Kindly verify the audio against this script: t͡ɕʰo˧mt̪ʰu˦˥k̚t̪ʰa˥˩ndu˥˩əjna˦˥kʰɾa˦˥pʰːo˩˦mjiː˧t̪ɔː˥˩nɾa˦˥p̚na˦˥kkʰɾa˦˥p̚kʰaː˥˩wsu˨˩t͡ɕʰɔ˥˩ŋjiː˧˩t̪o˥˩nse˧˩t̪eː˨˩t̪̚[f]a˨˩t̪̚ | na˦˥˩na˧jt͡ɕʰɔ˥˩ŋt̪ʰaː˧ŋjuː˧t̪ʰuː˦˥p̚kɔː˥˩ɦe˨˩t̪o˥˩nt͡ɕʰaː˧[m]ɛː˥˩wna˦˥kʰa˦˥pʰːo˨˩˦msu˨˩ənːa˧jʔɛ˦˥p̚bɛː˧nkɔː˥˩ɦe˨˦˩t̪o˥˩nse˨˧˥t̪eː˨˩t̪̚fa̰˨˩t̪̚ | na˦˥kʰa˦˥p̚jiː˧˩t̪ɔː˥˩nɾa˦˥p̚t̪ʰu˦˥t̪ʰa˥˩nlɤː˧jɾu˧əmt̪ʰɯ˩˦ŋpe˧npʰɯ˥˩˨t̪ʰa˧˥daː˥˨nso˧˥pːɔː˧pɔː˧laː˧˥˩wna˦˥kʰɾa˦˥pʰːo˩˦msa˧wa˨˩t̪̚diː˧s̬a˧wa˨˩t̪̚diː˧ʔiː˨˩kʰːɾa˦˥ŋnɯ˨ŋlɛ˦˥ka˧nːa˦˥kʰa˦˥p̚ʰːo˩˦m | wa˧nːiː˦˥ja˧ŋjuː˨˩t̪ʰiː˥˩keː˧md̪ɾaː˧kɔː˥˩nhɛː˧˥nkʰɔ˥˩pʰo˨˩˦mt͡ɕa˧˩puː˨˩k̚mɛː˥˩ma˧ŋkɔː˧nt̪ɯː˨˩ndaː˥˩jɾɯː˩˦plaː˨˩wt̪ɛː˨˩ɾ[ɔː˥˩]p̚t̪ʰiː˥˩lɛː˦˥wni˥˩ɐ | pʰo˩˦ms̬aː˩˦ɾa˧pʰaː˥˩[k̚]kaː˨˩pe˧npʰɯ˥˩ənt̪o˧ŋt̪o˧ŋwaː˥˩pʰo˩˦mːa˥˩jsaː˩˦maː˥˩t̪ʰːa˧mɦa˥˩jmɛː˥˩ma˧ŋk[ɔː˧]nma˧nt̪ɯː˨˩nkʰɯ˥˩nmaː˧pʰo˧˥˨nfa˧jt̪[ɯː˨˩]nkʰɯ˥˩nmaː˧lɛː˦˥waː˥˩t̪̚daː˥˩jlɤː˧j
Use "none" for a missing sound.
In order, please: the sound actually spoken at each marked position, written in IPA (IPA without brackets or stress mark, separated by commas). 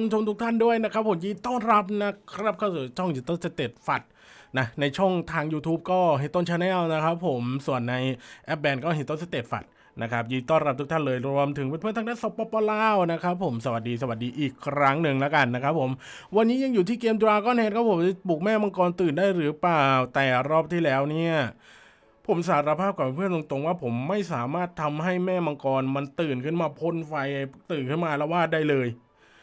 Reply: f, n, ɔː˥˩, p̚, ɔː˧, ɯː˨˩